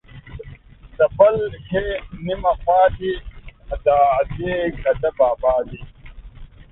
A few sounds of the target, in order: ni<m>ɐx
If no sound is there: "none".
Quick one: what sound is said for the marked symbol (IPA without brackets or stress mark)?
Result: m